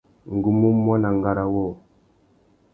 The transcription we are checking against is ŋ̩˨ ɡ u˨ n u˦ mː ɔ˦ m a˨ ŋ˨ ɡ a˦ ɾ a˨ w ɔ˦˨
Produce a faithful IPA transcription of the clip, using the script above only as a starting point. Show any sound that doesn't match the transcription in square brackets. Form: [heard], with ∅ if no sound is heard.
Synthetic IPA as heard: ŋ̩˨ ɡ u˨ [m] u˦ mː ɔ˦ [n] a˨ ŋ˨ ɡ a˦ ɾ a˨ w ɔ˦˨